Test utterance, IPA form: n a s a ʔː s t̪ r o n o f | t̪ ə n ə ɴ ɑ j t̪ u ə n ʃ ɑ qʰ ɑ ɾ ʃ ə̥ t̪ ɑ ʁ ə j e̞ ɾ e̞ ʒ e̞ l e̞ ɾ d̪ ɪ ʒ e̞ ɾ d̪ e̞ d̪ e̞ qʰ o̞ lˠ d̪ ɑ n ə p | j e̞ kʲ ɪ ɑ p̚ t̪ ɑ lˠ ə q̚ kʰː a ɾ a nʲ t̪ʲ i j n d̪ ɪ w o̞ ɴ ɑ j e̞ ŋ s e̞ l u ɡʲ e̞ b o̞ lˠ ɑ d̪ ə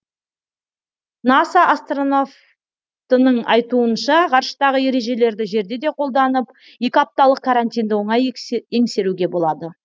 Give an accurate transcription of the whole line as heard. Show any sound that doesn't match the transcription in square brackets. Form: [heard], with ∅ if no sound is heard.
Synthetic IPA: n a s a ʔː s t̪ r o n o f | t̪ ə n ə ɴ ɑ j t̪ u ə n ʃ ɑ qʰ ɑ ɾ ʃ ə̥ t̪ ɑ ʁ ə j e̞ ɾ e̞ ʒ e̞ l e̞ ɾ d̪ ɪ ʒ e̞ ɾ d̪ e̞ d̪ e̞ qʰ o̞ lˠ d̪ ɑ n ə p | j e̞ kʲ ɪ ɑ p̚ t̪ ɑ lˠ ə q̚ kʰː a ɾ a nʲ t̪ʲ i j n d̪ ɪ w o̞ ɴ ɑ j e̞ ŋ s e̞ [ɾ] u ɡʲ e̞ b o̞ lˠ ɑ d̪ ə